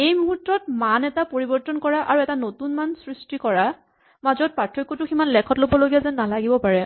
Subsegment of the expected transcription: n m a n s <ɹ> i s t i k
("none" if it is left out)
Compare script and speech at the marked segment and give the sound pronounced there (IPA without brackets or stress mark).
ɹ